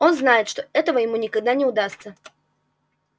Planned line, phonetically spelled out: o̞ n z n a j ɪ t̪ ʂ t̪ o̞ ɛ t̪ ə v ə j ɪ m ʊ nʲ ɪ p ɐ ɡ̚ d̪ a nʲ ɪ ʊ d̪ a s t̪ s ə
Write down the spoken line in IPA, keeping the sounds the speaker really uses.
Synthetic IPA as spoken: o̞ n z n a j ɪ t̪ ʂ t̪ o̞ ɛ t̪ ə v ə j ɪ m u nʲ ɪ k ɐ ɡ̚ d̪ a nʲ ɪ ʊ d̪ a s t̪ s ə